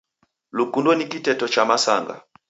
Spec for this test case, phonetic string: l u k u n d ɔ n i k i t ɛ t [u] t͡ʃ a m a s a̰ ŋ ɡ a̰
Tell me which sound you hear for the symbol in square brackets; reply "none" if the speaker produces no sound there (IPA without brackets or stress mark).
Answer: ɔ